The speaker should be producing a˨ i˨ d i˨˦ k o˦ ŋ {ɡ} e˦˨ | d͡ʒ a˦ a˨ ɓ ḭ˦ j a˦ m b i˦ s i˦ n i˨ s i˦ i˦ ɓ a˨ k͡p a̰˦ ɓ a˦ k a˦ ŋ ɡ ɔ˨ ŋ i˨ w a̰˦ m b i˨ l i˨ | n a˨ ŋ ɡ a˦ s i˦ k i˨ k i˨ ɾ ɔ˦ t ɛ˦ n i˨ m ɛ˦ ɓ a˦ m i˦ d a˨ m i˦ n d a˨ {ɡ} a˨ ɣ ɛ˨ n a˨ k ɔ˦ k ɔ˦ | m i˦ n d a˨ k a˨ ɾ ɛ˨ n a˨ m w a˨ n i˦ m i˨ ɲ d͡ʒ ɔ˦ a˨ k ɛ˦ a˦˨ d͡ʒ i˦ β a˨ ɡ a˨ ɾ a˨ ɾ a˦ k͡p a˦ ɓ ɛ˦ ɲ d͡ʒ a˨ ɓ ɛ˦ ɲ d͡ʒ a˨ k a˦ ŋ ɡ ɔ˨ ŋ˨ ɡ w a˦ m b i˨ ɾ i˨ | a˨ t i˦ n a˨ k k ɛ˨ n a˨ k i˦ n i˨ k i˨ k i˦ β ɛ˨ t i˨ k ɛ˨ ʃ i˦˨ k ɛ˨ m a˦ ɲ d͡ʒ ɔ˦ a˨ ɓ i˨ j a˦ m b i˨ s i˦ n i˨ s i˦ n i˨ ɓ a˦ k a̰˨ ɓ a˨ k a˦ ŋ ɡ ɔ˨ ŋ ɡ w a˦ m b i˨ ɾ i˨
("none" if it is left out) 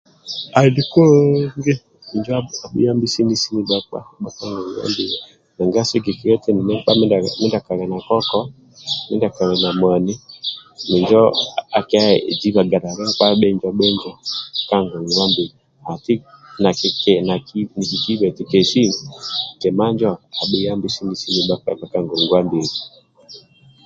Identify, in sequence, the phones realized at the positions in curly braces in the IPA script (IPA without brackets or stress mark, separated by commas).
ɡ, k